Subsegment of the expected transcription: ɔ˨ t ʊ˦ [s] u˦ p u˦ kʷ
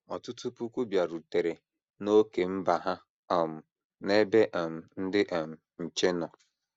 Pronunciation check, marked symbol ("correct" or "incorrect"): incorrect